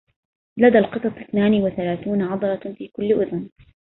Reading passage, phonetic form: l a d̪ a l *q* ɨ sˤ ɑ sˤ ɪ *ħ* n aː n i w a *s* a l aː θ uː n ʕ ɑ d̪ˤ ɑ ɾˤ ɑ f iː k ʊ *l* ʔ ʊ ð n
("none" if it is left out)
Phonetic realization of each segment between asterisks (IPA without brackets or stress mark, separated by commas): q, θ, θ, lː